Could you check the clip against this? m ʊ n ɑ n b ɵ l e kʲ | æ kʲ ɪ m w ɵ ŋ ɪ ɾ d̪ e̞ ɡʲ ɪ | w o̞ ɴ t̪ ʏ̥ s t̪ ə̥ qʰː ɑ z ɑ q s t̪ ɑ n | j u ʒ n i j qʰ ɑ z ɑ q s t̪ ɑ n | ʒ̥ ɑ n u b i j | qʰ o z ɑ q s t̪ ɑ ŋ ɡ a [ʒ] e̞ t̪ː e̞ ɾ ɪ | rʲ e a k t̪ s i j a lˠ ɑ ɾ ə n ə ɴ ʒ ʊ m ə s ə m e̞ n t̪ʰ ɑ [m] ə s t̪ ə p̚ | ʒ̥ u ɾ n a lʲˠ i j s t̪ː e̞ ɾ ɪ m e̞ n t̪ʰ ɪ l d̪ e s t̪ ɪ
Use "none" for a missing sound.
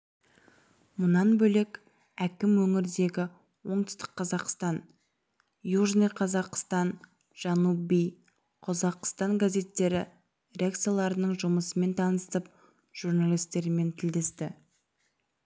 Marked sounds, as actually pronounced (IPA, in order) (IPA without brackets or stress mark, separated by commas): z, n